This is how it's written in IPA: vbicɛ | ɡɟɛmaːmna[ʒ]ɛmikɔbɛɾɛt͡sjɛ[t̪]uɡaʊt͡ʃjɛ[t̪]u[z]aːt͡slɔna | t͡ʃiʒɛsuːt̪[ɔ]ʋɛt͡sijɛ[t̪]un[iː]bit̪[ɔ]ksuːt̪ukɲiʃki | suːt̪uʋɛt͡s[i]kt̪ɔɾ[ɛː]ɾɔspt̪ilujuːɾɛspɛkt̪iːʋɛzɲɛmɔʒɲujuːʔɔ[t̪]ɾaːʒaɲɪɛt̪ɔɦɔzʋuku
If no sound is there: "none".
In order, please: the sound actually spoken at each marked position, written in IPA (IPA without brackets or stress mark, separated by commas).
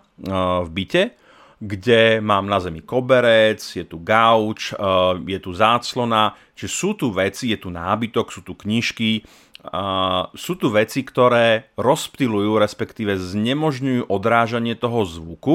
z, t̪, t̪, z, u, t̪, aː, ɔ, i, ɛː, d̪